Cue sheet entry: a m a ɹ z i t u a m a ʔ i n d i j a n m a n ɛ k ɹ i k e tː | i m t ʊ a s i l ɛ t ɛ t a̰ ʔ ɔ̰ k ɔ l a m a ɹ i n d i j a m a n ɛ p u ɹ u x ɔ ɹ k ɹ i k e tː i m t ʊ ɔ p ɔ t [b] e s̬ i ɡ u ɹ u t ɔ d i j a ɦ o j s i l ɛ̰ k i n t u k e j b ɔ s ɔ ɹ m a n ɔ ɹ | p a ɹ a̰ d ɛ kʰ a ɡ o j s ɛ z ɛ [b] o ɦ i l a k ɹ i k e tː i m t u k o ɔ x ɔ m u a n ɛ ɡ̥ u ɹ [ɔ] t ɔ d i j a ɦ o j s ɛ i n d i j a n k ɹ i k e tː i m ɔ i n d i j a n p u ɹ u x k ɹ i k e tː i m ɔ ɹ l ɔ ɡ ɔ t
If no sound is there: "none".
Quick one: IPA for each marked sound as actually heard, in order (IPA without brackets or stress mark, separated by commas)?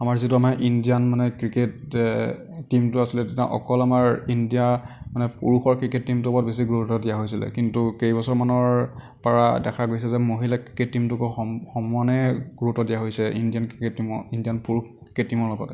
b, m, u